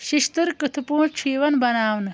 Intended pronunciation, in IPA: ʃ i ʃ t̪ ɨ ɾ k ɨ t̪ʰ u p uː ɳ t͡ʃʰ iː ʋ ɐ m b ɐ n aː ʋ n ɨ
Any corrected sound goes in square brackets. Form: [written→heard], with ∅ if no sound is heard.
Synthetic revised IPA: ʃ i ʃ t̪ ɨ ɾ k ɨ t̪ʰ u p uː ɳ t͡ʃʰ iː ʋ ɐ [m→n] b ɐ n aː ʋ n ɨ